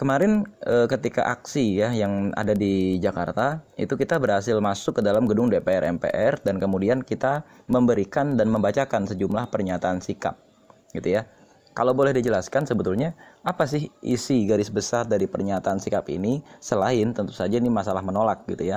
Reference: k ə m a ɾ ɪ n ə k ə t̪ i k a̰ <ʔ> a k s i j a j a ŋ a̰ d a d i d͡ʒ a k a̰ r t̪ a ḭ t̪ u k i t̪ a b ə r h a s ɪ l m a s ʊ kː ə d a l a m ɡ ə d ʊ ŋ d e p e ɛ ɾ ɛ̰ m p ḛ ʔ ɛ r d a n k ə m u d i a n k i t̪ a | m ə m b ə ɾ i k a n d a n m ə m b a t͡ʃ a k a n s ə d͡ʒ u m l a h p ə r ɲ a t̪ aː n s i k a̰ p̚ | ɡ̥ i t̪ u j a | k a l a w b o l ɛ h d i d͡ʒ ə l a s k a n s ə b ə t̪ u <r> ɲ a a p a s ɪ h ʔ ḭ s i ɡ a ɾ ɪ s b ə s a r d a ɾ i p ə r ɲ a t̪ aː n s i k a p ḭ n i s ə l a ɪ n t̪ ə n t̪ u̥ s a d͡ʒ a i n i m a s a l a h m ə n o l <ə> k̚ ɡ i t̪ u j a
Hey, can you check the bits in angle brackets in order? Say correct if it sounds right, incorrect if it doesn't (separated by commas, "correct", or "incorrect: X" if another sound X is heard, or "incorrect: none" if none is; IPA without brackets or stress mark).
correct, incorrect: l, incorrect: a